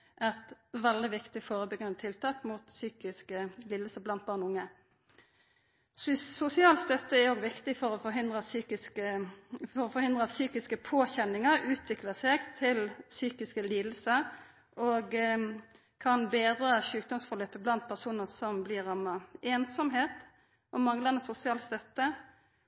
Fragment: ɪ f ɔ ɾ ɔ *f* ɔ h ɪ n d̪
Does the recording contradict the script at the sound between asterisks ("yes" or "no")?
no